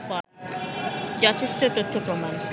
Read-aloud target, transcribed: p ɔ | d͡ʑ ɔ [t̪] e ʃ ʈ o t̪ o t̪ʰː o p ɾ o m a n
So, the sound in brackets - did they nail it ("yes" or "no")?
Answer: no